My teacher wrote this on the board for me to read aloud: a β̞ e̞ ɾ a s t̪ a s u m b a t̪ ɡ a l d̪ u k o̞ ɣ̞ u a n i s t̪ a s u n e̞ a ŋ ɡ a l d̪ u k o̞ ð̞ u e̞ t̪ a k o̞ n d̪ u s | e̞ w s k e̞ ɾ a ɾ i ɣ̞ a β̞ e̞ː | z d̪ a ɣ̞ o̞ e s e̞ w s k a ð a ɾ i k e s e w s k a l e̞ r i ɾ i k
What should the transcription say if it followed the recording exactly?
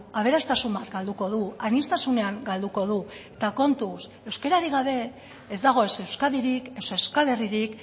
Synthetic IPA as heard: a β̞ e̞ ɾ a s t̪ a s u m b a t̪ ɡ a l d̪ u k o̞ ð̞ u a n i s t̪ a s u n e̞ a ŋ ɡ a l d̪ u k o̞ ð̞ u e̞ t̪ a k o̞ n t̪ u s | e̞ w s k e̞ ɾ a ɾ i ɣ̞ a β̞ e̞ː | z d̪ a ɣ̞ o̞ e s e̞ w s k a ð i ɾ i k e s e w s k a l e̞ r i ɾ i k